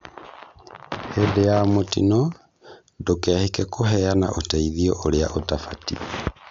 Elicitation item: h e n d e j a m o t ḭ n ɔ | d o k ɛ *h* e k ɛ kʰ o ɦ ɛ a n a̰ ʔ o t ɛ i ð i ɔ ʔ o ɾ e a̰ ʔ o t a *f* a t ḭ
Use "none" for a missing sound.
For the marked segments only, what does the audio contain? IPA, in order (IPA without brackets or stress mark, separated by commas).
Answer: h, f